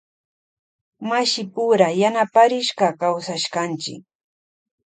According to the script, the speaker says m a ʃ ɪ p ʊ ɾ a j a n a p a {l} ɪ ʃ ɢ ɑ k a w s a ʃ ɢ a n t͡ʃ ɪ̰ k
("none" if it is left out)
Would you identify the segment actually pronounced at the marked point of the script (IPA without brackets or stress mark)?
ɾ